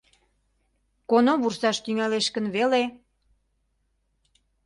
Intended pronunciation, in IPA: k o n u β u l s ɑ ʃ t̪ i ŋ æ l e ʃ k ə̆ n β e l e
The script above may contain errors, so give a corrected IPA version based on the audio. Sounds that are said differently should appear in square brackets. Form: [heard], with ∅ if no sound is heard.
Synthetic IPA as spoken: k o n [o] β u [r] s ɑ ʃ t̪ [y] ŋ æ l e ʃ k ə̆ n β e l e